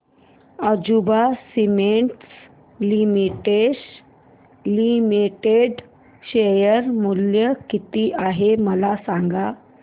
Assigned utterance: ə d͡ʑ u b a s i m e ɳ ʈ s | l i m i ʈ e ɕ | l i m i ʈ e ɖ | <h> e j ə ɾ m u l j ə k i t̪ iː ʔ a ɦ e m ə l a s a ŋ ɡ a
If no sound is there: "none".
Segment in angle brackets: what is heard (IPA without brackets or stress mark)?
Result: ɕ